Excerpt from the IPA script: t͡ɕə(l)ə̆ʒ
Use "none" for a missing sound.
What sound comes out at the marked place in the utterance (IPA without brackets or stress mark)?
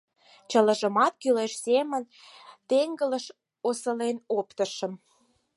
l